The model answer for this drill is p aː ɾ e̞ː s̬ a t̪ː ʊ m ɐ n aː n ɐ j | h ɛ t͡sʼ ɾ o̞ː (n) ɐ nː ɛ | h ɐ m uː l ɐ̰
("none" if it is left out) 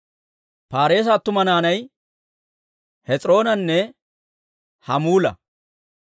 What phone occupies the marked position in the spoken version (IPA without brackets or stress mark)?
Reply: n